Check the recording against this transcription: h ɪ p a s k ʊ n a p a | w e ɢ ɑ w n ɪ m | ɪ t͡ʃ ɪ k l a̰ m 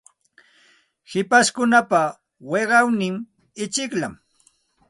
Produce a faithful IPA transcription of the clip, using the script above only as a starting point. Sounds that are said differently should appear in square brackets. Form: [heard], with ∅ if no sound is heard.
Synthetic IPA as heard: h ɪ p a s k ʊ n a p a | w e ɢ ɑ w n ɪ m | ɪ t͡ʃ ɪ k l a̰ m